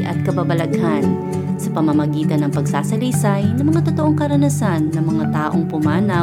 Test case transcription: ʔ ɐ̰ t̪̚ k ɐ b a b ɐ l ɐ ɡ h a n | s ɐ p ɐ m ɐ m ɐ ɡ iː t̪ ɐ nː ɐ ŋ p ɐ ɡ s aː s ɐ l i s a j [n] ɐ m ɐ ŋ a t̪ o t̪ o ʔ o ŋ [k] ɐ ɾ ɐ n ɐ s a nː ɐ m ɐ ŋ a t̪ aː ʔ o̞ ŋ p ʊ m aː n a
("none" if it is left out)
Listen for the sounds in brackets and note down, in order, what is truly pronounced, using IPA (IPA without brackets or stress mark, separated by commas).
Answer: n, k